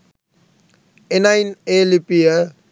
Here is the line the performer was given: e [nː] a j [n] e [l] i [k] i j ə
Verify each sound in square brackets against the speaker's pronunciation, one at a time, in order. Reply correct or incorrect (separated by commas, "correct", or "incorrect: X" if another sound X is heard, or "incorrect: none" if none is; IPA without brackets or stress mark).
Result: incorrect: n, correct, correct, incorrect: p